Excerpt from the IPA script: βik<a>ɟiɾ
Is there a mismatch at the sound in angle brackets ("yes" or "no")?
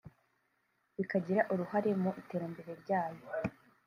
no